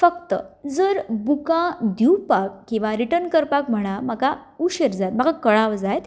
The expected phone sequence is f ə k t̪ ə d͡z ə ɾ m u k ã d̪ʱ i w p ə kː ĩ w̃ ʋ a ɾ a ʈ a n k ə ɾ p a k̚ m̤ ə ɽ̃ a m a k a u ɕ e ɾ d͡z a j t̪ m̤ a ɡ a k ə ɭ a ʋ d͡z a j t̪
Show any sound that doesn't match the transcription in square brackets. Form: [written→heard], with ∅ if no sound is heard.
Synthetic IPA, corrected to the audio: f ə k t̪ ə d͡z ə ɾ [m→b] u k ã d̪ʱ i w p [ə→a] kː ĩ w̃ ʋ a ɾ [a→i] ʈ [a→ə] n k ə ɾ p a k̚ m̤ ə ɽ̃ a m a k a u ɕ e ɾ d͡z a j t̪ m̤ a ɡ a k ə ɭ a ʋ d͡z a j t̪